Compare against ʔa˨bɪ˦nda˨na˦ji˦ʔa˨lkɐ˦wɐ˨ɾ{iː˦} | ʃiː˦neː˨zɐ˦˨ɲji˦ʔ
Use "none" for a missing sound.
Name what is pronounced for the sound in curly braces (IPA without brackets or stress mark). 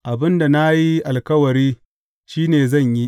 iː˦